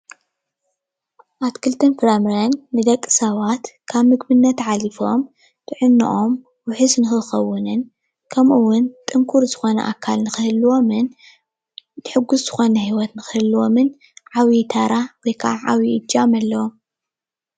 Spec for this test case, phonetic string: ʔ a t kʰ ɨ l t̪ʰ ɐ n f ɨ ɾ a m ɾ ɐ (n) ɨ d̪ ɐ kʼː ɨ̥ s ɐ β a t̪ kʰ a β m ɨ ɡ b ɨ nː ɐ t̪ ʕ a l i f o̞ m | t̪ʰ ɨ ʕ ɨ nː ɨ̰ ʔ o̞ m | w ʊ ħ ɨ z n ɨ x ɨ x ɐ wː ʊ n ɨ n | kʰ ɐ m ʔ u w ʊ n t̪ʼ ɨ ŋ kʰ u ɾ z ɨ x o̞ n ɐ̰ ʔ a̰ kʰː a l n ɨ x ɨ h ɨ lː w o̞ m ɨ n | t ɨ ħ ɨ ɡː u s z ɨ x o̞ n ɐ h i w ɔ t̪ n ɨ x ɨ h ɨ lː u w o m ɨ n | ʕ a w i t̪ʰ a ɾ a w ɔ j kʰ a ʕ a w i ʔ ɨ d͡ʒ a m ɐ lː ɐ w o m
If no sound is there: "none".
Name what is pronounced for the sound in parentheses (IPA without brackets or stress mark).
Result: nː